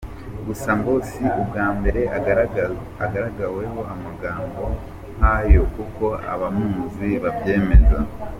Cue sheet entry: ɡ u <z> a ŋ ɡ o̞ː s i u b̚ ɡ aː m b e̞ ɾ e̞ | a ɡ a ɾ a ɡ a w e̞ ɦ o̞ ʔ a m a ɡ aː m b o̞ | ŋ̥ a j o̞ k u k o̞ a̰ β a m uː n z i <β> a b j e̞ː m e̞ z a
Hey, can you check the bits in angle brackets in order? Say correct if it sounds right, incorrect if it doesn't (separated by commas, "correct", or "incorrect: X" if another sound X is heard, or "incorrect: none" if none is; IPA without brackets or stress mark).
incorrect: s, correct